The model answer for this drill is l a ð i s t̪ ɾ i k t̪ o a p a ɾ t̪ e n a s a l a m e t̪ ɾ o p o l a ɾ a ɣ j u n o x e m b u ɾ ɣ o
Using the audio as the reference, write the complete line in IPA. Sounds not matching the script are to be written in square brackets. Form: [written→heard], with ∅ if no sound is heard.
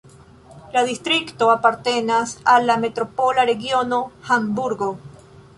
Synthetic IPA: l a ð i s t̪ ɾ i k t̪ o a p a ɾ t̪ e n a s a l a m e t̪ ɾ o p o l a ɾ [a→e] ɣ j [u→o] n o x [e→a] m b u ɾ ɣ o